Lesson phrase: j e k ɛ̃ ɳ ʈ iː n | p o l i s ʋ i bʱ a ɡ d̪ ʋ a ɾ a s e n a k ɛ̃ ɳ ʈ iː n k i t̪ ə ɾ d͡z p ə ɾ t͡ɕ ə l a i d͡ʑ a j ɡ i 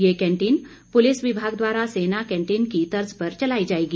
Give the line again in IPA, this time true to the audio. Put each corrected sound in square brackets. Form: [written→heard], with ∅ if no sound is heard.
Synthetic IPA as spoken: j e k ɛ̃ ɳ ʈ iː n | p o l i s ʋ i bʱ a ɡ d̪ ʋ a ɾ a s e n a k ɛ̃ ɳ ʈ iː n k i t̪ ə ɾ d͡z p ə ɾ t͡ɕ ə l a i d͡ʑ a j ɡ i